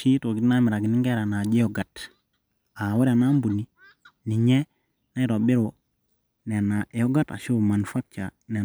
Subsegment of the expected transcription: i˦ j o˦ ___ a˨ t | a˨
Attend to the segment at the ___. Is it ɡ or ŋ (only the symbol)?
ɡ